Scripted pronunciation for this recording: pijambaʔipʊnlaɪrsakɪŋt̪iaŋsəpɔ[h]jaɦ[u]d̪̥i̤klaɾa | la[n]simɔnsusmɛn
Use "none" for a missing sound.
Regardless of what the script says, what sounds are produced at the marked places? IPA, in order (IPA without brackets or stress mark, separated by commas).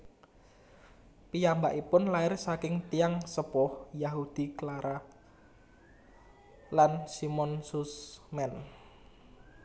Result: h, u, n